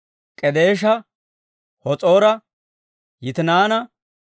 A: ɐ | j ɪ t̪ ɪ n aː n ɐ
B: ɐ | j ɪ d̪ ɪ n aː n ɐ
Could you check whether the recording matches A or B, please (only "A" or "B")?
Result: A